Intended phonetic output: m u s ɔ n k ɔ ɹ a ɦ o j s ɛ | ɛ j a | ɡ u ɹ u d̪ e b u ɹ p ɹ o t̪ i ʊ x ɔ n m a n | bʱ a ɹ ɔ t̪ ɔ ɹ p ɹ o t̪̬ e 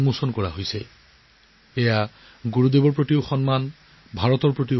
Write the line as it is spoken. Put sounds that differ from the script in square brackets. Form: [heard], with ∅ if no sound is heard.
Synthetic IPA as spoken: m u s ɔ n k ɔ ɹ a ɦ o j s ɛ | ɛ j a | ɡ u ɹ u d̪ e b [ɔ] ɹ p ɹ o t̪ i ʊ x ɔ n m a n | bʱ a ɹ ɔ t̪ ɔ ɹ p ɹ o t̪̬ [i]